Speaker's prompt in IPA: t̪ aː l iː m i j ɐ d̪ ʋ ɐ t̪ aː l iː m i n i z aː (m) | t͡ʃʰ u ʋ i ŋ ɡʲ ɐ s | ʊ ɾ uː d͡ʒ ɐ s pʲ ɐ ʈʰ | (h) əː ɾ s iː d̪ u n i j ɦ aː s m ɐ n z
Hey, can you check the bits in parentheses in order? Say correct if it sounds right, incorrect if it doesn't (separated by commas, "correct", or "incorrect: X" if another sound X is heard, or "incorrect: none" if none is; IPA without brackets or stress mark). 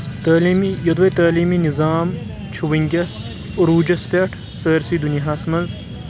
correct, incorrect: s